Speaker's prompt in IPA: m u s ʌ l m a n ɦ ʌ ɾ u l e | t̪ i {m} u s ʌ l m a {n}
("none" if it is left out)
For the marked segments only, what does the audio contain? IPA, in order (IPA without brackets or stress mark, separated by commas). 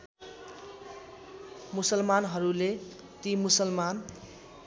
m, n